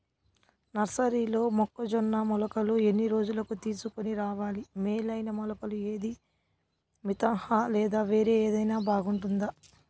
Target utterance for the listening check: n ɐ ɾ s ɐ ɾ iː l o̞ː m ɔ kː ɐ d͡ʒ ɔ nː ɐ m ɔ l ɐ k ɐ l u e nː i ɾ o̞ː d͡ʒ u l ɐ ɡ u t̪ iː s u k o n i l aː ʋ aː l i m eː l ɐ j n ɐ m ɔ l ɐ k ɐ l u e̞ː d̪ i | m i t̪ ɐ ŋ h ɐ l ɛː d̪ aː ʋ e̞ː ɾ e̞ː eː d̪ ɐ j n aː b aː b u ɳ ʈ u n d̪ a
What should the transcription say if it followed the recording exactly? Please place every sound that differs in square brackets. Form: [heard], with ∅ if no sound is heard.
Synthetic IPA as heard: n ɐ ɾ s ɐ ɾ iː l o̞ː m ɔ kː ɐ d͡ʒ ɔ nː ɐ m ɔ l ɐ k ɐ l u e nː i ɾ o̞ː d͡ʒ u l ɐ [k] u t̪ iː s u k o n i [ɾ] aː ʋ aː l i m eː l ɐ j n ɐ m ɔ l ɐ k ɐ l u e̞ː d̪ i | m i t̪ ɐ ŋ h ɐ l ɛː d̪ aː ʋ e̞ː ɾ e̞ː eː d̪ ɐ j n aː b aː [ɡ] u ɳ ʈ u n d̪ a